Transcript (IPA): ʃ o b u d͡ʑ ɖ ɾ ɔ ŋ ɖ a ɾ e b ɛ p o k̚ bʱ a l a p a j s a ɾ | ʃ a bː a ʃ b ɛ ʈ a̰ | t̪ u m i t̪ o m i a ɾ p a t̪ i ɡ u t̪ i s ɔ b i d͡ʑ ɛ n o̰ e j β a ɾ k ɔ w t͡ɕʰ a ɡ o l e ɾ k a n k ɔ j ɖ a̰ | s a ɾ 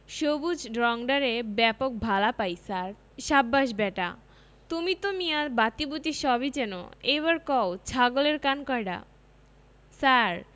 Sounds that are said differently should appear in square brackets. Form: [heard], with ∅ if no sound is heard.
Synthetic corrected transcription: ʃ o b u d͡ʑ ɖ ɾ ɔ ŋ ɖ a ɾ e b ɛ p o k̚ bʱ a l a p a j s a ɾ | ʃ a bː a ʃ b ɛ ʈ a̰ | t̪ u m i t̪ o m i a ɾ [b] a t̪ i [b] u t̪ i [ʃ] ɔ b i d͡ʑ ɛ n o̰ e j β a ɾ k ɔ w t͡ɕʰ a ɡ o l e ɾ k a n k ɔ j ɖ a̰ | s a ɾ